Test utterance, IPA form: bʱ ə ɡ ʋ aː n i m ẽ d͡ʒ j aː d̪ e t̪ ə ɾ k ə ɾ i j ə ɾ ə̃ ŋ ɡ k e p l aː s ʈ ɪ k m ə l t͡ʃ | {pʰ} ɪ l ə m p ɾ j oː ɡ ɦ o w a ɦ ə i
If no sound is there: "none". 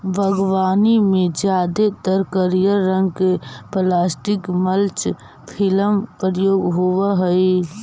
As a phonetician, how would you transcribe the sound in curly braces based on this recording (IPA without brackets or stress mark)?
pʰ